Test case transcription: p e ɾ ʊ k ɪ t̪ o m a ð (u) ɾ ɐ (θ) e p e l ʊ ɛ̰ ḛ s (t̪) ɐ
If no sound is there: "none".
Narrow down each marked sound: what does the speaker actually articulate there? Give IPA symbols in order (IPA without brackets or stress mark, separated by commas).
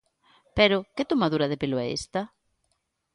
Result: u, ð, t̪